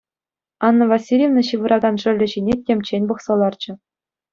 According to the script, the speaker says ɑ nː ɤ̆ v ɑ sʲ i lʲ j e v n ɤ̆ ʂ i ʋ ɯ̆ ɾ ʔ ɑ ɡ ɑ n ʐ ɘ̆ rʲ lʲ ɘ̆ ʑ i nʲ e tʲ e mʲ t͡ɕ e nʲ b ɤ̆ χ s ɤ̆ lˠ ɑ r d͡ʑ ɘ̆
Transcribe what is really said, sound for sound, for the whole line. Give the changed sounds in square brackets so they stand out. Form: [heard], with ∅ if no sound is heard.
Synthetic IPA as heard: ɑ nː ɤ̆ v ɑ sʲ i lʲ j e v n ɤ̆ [ɕ] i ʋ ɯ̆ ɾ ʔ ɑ ɡ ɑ n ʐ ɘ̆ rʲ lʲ ɘ̆ ʑ i nʲ e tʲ e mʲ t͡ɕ e nʲ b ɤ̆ χ s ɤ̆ lˠ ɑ r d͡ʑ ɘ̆